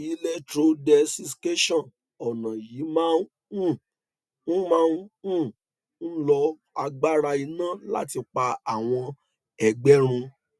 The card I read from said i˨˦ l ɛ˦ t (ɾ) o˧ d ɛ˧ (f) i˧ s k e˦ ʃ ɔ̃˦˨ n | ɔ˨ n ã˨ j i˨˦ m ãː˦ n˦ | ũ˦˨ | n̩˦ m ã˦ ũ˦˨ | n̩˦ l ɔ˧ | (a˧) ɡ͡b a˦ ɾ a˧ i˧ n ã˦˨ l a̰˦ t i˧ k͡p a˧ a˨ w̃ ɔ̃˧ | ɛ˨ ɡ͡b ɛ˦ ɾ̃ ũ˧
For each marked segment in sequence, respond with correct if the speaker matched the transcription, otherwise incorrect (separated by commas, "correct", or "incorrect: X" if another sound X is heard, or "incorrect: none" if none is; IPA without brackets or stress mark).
correct, incorrect: s, correct